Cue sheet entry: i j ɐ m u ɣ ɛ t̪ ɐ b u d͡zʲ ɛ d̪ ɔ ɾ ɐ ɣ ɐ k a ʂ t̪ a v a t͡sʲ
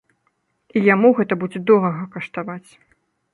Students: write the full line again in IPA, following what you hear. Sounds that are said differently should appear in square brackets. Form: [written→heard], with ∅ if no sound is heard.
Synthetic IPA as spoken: i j [ɐ→a] m u ɣ ɛ t̪ ɐ b u d͡zʲ ɛ d̪ ɔ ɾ ɐ ɣ ɐ k [a→ɐ] ʂ t̪ a v a t͡sʲ